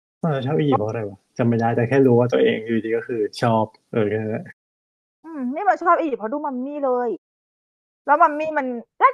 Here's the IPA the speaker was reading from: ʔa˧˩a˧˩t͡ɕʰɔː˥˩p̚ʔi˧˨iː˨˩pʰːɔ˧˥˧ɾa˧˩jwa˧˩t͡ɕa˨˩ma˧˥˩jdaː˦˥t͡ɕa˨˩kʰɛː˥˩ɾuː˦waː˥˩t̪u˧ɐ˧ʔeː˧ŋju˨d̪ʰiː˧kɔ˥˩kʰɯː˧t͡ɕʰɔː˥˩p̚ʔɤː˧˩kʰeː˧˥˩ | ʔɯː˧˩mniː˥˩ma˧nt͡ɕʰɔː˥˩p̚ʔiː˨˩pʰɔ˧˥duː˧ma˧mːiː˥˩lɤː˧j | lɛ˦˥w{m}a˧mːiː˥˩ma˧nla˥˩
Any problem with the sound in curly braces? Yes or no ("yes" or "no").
no